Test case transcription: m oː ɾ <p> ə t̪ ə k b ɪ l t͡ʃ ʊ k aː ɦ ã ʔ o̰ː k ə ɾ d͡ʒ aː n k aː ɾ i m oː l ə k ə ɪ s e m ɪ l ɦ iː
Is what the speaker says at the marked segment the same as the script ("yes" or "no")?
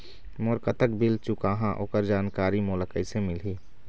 no